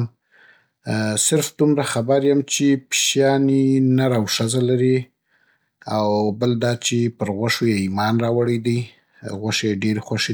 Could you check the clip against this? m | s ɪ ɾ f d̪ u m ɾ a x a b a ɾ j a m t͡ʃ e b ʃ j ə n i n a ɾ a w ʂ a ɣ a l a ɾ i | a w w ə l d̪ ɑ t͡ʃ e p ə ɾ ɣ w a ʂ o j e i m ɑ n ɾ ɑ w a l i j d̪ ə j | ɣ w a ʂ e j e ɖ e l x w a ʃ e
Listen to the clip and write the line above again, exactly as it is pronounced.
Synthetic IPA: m | s ɪ ɾ f d̪ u m ɾ a x a b a ɾ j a m t͡ʃ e p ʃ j ɑ n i n a ɾ a w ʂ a z a l a ɾ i | a w b ə l d̪ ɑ t͡ʃ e p ə ɾ ɣ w a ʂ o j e i m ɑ n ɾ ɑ w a ɽ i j d̪ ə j | ɣ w a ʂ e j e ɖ e ɾ x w a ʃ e